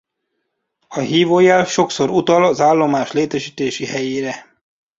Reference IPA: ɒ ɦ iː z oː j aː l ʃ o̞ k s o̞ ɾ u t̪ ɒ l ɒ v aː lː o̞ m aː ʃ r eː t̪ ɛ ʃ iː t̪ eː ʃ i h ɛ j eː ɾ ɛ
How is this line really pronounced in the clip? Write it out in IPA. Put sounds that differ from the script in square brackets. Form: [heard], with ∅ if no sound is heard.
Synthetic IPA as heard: ɒ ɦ iː [v] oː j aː l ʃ o̞ k s o̞ ɾ u t̪ ɒ l ɒ [z] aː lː o̞ m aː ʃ [l] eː t̪ ɛ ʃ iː t̪ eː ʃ i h ɛ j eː ɾ ɛ

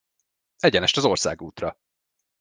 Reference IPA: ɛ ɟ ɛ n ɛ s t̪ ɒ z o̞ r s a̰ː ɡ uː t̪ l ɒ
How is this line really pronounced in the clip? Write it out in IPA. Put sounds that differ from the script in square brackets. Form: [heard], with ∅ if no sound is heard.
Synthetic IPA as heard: ɛ ɟ ɛ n ɛ [ʃ] t̪ ɒ z o̞ r s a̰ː ɡ uː t̪ [r] ɒ

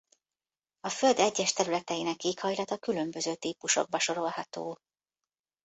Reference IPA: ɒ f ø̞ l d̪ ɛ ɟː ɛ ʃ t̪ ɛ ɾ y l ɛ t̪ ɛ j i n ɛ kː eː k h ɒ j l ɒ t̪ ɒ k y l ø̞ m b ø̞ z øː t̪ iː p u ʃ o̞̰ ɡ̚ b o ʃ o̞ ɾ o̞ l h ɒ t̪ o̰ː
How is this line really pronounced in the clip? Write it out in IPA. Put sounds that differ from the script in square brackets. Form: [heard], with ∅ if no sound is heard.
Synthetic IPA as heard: ɒ f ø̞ l d̪ ɛ ɟː ɛ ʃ t̪ ɛ ɾ y l ɛ t̪ ɛ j i n ɛ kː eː k h ɒ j l ɒ t̪ ɒ k y l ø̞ m b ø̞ z øː t̪ iː p u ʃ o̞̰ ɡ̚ b [ɒ] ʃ o̞ ɾ o̞ l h ɒ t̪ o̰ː

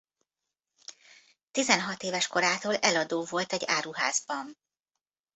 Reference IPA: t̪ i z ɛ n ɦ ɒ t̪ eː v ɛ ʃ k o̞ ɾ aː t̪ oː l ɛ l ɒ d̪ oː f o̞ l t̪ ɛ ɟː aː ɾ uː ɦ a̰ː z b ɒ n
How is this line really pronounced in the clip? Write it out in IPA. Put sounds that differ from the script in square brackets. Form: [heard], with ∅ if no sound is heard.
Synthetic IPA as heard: t̪ i z ɛ n ɦ ɒ t̪ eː v ɛ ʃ k o̞ ɾ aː t̪ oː l ɛ l ɒ d̪ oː [v] o̞ l t̪ ɛ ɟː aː ɾ [u] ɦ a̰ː z b ɒ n

